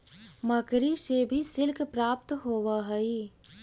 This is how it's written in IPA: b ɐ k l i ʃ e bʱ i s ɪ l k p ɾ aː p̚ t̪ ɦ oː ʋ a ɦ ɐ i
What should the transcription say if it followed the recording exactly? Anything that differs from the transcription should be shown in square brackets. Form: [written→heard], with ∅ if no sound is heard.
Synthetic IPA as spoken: [b→m] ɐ k [l→ɾ] i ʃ e bʱ i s ɪ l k p ɾ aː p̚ t̪ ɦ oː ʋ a ɦ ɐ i